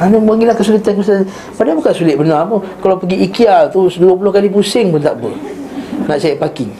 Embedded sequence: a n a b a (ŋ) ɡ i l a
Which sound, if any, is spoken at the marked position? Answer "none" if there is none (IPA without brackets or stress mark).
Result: ŋ